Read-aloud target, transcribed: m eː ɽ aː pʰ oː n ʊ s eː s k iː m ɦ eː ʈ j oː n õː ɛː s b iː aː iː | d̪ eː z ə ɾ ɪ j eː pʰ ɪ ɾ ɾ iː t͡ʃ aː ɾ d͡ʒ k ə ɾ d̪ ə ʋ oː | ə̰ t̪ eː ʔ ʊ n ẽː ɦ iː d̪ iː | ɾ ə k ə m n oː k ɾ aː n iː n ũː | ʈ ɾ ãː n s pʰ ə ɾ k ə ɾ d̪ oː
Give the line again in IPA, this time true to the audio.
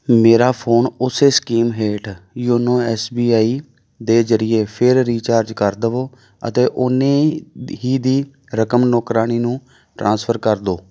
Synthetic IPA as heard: m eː ɾ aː pʰ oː n ʊ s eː s k iː m ɦ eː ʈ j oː n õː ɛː s b iː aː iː | d̪ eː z ə ɾ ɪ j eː pʰ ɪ ɾ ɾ iː t͡ʃ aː ɾ d͡ʒ k ə ɾ d̪ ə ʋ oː | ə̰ t̪ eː ʔ ʊ n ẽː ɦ iː d̪ iː | ɾ ə k ə m n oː k ɾ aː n iː n ũː | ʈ ɾ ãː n s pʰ ə ɾ k ə ɾ d̪ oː

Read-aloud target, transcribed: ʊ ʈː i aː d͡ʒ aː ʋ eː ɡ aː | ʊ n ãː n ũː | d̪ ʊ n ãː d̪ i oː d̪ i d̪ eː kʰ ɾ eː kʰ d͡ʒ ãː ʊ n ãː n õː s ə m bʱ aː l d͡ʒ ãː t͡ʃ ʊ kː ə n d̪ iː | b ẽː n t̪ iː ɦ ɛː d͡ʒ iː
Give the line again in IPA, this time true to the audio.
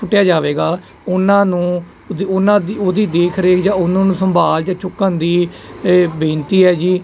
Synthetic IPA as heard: ʊ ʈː j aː d͡ʒ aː ʋ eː ɡ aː | ʊ n ãː n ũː | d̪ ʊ n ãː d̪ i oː d̪ iː d̪ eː kʰ ɾ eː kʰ d͡ʒ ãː ʊ n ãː n ũː s ə m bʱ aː l d͡ʒ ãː t͡ʃ ʊ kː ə n d̪ iː | b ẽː n t̪ iː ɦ ɛː d͡ʒ iː

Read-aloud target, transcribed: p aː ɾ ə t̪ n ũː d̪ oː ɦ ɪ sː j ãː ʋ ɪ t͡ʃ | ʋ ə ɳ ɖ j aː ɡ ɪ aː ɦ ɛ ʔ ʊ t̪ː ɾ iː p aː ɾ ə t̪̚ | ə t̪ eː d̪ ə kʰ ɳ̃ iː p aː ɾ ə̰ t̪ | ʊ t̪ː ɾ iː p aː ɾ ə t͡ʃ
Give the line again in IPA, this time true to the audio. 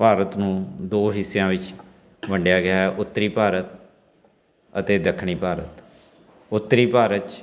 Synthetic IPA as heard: p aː ɾ ə t̪ n ũː d̪ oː ɦ ɪ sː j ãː ʋ ɪ t͡ʃ | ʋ ə ɳ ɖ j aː ɡ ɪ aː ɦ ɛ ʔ ʊ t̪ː ɾ iː p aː ɾ ə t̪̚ | ə t̪ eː d̪ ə kʰ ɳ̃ iː p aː ɾ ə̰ t̪ | ʊ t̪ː ɾ iː p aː ɾ ə t͡ʃ

